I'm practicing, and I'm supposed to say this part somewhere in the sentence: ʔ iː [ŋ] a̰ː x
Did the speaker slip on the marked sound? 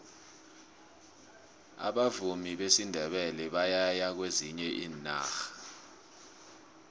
yes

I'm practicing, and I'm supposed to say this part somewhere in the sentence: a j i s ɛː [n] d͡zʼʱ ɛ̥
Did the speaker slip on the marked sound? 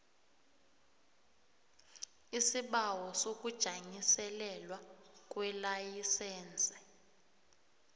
no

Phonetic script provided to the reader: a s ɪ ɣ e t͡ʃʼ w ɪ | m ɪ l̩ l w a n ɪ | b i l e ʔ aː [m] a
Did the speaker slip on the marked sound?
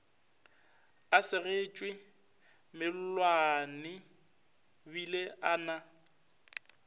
yes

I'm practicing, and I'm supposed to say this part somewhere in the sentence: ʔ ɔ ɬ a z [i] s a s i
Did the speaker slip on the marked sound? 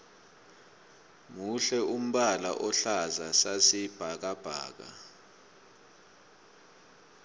yes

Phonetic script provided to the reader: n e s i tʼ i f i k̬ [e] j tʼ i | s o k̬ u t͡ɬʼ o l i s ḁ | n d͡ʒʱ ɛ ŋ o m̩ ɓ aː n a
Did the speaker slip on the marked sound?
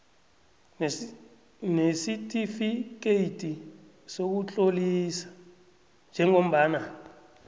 no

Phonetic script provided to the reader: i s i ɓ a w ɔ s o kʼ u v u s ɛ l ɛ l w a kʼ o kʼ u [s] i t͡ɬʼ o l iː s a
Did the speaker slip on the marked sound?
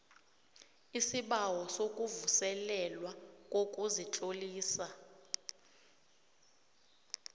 yes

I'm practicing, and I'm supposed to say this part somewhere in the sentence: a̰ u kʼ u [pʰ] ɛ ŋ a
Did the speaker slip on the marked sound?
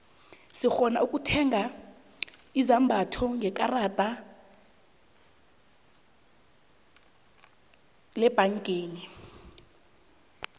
yes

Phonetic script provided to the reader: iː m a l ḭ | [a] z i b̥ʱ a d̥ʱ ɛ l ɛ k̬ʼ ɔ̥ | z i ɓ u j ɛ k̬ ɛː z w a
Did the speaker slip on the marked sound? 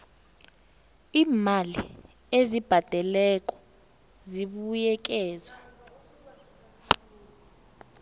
yes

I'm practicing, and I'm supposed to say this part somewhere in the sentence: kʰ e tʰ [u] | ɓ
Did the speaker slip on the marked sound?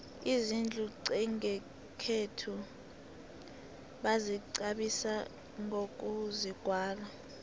no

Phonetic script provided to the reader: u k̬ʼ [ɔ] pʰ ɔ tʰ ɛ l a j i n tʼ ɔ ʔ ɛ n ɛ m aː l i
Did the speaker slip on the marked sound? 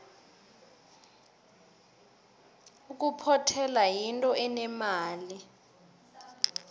yes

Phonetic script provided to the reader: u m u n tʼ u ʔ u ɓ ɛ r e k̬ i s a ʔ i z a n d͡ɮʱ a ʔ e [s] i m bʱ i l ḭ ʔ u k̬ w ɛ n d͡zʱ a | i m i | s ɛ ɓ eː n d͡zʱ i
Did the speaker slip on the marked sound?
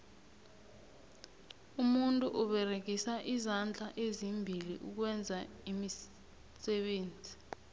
yes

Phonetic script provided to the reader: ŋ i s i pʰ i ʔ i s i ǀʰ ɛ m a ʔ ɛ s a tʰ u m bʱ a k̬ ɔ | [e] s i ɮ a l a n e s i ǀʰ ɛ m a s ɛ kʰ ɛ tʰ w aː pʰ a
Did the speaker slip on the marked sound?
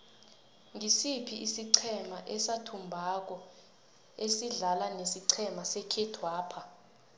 no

